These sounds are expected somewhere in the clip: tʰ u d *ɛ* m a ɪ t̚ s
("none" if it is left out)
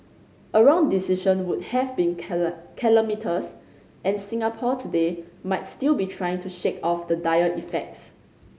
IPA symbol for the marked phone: e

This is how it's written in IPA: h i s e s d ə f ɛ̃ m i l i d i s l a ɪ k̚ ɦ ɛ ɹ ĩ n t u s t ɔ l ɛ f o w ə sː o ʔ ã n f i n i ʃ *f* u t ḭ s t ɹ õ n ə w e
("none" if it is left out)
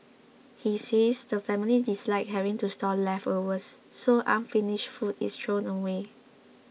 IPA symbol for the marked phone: f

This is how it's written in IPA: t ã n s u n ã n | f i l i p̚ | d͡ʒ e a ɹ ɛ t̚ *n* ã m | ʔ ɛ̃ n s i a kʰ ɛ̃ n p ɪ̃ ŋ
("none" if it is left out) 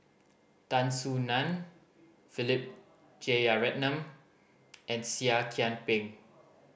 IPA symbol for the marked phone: n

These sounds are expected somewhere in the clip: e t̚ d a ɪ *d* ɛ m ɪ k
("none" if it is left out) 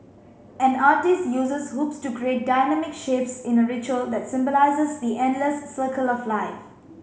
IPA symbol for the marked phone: n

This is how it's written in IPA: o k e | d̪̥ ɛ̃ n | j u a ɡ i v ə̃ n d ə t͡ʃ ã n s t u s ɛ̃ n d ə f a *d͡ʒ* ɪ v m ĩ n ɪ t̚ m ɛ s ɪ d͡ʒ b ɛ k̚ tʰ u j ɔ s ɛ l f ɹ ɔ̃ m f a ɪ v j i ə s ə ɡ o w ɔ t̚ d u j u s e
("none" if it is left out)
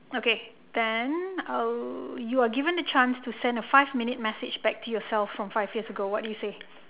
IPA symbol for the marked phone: none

